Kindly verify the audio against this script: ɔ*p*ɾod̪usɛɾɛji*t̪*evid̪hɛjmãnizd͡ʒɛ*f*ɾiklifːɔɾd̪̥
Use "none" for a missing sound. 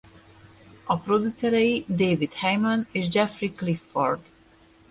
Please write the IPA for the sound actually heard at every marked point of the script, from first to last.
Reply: p, d̪, f

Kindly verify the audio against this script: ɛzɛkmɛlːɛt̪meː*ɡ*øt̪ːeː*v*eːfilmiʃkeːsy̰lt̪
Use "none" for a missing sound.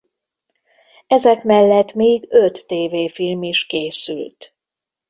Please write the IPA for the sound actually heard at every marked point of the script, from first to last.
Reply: ɡ, v

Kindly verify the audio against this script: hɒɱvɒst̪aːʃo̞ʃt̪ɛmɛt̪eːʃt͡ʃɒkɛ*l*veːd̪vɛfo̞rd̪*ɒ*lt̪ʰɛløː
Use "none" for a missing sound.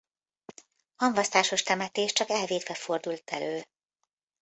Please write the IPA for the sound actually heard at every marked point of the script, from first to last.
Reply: l, u

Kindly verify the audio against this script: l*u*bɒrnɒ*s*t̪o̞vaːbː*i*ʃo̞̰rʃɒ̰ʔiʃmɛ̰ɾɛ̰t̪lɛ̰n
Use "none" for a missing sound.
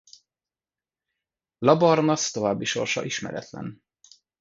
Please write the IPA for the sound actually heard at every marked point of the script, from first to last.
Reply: ɒ, s, i

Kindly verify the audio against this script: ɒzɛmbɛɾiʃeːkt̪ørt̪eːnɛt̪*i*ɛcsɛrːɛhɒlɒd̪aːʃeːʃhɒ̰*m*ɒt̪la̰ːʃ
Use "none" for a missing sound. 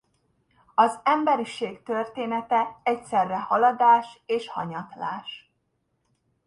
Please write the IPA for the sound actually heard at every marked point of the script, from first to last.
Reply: ɛ, ɲ

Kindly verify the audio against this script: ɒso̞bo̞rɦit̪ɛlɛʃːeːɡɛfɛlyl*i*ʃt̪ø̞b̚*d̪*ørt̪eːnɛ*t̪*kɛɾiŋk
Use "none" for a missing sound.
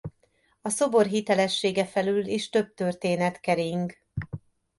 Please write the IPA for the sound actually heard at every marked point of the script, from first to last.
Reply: i, t̪, t̪

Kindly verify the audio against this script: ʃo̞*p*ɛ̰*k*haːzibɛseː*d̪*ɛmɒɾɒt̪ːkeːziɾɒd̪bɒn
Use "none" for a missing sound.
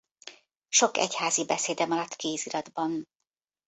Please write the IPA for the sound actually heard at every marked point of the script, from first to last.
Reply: k, c, d̪

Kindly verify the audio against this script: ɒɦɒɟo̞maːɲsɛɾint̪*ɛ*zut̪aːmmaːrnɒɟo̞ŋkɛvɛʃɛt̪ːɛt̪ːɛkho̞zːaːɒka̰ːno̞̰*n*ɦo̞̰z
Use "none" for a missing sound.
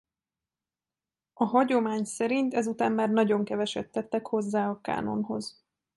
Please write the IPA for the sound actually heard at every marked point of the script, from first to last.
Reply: ɛ, n

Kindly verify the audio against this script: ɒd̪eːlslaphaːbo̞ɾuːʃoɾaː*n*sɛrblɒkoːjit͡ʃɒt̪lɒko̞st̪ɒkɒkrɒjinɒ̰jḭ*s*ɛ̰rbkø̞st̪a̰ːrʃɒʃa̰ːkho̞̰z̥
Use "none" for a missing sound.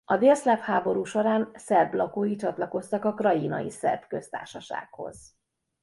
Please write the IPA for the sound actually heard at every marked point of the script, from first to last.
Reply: n, s

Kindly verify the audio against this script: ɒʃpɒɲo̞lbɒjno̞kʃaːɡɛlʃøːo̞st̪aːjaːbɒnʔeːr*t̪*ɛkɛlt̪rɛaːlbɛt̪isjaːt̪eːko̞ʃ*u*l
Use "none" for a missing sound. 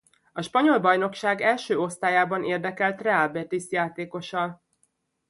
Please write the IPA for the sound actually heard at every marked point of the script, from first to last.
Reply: d̪, ɒ

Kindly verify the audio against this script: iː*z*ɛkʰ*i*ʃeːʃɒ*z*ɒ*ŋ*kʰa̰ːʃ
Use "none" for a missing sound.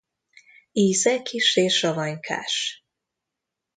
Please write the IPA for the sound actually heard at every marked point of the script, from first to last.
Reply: z, i, v, ɲ

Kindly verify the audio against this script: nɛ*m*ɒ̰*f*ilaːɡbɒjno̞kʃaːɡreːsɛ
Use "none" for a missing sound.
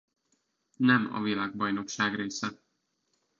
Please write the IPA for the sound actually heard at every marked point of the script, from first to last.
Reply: m, v

